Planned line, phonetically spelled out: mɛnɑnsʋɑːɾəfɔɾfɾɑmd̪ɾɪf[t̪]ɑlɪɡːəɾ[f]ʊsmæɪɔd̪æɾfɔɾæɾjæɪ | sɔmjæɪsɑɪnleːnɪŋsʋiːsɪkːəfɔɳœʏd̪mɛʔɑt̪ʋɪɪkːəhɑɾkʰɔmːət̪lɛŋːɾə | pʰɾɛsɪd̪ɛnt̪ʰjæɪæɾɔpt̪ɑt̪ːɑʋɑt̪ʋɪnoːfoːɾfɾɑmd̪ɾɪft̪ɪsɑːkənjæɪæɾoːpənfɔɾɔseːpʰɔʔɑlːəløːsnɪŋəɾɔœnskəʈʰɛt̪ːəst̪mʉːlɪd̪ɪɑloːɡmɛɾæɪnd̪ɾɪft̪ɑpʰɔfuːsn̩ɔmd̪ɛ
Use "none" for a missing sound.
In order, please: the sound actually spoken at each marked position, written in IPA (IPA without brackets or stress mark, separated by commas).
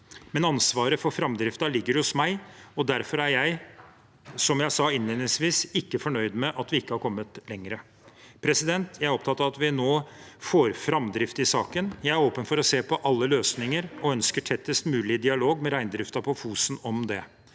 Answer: t̪, h